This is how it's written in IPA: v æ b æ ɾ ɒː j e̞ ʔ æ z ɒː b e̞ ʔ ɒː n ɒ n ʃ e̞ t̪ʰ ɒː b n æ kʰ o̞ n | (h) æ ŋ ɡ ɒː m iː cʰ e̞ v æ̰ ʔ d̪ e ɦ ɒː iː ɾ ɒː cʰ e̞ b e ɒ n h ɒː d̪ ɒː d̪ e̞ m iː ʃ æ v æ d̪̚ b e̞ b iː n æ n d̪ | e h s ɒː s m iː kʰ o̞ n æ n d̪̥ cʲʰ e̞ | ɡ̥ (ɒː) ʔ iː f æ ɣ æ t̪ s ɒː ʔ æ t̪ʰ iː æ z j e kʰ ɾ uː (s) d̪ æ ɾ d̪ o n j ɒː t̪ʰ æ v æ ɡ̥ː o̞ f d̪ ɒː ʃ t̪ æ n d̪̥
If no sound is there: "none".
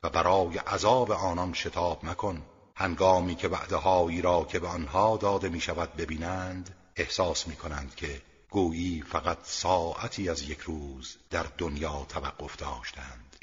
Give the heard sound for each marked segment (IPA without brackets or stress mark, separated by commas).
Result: h, uː, z